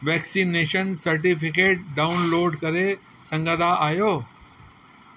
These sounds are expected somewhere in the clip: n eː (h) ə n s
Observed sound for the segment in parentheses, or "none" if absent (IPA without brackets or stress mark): ʃ